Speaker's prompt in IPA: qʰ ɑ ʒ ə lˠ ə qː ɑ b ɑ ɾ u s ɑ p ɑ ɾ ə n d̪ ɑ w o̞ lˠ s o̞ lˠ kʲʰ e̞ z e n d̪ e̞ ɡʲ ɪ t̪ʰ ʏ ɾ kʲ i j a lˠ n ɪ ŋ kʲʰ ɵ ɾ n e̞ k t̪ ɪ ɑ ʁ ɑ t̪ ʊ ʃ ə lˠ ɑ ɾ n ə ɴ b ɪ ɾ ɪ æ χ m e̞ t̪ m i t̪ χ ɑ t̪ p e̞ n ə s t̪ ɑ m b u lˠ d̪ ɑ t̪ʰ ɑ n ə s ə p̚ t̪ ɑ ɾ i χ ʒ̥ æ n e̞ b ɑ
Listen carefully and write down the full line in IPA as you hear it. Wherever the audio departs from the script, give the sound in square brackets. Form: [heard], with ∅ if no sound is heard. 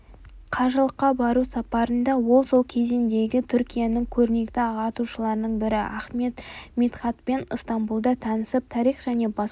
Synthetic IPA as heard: qʰ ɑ ʒ ə lˠ ə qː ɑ b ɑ ɾ u s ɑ p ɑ ɾ ə n d̪ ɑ w o̞ lˠ s o̞ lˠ kʲʰ e̞ z e n d̪ e̞ ɡʲ ɪ t̪ʰ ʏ ɾ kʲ i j a [∅] n ɪ ŋ kʲʰ ɵ ɾ n e̞ k t̪ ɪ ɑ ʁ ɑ t̪ [u] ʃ ə lˠ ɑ ɾ n ə ɴ b ɪ ɾ ɪ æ χ m e̞ t̪ m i t̪ χ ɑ t̪ p e̞ n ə s t̪ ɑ m b u lˠ d̪ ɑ t̪ʰ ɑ n ə s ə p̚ [t̪ʰ] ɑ ɾ i χ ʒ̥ æ n e̞ b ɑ